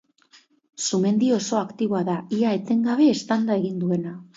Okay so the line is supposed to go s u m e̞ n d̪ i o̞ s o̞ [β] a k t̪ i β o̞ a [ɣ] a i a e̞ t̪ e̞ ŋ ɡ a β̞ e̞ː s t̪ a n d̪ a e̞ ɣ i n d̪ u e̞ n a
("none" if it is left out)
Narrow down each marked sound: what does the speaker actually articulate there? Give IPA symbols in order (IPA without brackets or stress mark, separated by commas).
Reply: none, ð